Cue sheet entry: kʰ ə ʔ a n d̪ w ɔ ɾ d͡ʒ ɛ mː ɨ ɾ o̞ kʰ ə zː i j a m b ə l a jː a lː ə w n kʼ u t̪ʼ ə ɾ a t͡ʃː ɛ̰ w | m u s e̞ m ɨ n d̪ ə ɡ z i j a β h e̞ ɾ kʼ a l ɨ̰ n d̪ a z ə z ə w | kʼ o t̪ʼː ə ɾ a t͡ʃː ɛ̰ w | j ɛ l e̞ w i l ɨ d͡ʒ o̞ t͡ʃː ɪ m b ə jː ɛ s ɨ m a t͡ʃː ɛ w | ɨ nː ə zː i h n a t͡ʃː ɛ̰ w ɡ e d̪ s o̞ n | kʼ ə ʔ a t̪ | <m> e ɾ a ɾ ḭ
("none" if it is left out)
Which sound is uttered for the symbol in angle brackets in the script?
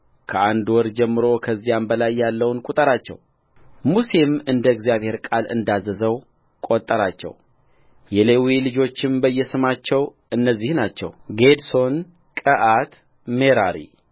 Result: m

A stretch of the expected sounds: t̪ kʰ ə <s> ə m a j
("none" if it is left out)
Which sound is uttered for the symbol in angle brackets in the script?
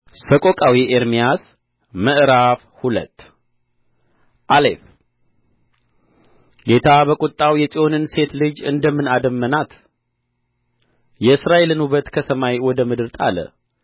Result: s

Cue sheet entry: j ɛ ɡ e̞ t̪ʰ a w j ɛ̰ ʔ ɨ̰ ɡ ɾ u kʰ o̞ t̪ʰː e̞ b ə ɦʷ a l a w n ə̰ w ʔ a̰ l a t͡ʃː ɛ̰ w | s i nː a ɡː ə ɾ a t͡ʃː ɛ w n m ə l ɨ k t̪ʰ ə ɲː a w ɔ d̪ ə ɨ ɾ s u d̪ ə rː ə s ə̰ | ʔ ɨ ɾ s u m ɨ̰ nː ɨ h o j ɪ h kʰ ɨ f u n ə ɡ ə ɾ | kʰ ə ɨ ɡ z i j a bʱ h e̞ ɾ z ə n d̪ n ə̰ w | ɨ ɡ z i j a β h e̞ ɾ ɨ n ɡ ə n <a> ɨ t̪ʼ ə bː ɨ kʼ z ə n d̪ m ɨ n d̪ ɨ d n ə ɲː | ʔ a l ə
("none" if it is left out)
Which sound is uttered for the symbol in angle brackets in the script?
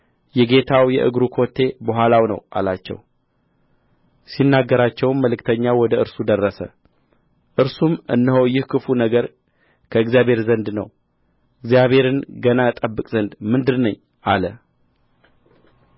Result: a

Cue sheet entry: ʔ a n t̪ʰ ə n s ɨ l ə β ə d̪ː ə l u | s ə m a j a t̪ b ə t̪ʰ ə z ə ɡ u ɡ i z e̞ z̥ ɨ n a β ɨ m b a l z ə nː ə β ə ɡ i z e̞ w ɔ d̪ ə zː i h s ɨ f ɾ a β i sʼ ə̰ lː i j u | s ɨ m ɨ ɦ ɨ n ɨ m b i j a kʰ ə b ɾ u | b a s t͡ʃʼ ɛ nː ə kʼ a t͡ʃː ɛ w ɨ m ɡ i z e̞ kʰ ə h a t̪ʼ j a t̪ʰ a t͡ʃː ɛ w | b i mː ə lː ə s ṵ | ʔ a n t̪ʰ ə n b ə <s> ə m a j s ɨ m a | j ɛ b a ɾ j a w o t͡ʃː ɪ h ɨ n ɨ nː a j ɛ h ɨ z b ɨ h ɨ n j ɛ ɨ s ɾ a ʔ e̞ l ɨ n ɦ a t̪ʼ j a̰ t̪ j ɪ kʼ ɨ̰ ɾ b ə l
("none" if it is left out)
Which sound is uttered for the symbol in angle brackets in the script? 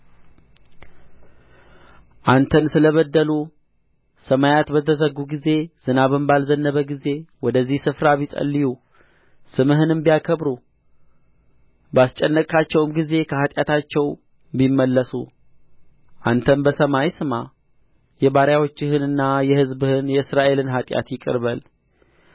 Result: s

